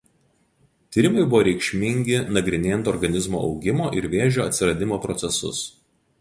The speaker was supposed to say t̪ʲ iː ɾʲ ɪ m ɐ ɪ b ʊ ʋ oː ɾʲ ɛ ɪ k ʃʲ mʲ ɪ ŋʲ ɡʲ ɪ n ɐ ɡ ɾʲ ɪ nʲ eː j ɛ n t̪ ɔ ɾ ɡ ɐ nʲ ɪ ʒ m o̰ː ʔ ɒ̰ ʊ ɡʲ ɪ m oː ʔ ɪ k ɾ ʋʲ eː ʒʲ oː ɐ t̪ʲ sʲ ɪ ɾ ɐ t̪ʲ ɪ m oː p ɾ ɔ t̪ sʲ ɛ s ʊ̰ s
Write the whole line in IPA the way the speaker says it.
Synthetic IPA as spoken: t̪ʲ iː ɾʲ ɪ m ɐ ɪ b ʊ ʋ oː ɾʲ ɛ ɪ k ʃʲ mʲ ɪ ŋʲ ɡʲ ɪ n ɐ ɡ ɾʲ ɪ nʲ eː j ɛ n t̪ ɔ ɾ ɡ ɐ nʲ ɪ z m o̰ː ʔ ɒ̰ ʊ ɡʲ ɪ m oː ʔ ɪ ɾ ʋʲ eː ʒʲ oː ɐ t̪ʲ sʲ ɪ ɾ ɐ d̪ʲ ɪ m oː p ɾ ɔ t̪ sʲ ɛ s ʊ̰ s